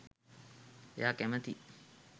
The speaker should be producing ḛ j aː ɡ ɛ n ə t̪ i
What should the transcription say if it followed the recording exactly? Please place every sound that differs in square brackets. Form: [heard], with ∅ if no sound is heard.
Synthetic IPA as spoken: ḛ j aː [k] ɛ [m] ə t̪ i